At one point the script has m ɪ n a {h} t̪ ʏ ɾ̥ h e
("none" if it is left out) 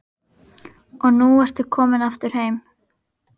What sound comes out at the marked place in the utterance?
f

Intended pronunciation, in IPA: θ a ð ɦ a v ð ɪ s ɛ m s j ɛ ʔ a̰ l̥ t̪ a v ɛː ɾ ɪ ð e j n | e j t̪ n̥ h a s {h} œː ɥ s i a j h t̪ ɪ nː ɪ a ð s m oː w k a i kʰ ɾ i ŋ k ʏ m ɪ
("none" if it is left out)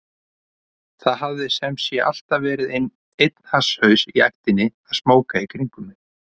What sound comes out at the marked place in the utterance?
h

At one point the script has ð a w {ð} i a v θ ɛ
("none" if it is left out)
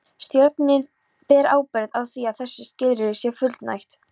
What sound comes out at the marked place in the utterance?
θ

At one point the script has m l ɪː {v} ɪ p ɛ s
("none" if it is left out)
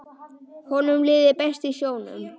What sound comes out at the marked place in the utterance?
ð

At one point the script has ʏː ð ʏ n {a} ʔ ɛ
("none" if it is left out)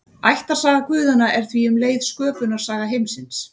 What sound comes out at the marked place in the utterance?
a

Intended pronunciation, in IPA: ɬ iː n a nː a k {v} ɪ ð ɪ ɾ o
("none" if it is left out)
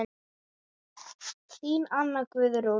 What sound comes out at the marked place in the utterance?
v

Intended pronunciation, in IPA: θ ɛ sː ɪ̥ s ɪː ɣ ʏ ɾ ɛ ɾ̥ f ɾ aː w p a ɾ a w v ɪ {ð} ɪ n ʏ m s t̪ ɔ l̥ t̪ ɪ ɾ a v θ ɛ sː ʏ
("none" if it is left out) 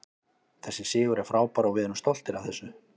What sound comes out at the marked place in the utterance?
ð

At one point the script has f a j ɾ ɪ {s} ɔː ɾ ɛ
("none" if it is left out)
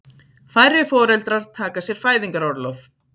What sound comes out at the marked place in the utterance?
f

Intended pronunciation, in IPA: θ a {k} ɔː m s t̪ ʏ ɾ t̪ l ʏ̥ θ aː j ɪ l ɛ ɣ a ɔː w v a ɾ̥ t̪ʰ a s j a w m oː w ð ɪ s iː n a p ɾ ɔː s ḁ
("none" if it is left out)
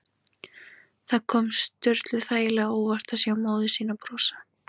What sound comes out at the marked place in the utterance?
kʰ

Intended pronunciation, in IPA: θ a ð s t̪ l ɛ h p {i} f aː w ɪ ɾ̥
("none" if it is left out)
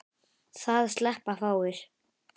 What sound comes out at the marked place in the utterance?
a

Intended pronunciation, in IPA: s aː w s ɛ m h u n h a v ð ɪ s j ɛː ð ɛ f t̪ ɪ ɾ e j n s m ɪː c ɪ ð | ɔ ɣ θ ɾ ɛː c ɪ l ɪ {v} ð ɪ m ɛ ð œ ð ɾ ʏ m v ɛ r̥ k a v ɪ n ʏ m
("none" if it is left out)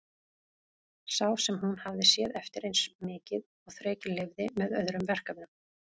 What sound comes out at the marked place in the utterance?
v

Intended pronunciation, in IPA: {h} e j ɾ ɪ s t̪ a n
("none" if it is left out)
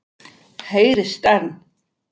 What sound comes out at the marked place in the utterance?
h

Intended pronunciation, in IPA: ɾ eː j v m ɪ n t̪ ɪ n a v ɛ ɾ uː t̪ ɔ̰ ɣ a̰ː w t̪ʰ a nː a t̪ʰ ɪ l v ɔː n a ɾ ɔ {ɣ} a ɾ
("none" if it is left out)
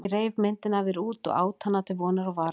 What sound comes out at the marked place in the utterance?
v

